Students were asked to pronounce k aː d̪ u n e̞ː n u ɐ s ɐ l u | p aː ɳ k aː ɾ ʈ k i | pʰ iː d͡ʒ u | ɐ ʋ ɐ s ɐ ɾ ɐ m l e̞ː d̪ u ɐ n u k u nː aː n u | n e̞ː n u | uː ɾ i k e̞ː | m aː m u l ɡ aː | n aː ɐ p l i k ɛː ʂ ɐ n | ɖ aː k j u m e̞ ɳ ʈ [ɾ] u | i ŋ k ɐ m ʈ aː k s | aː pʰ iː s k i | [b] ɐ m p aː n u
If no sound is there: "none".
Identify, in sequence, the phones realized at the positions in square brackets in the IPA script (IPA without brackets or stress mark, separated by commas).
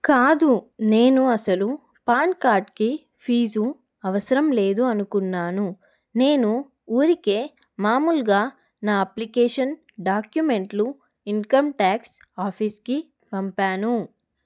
l, p